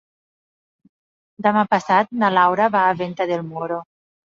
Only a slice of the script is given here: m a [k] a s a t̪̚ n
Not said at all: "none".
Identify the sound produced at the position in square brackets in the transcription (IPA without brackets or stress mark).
p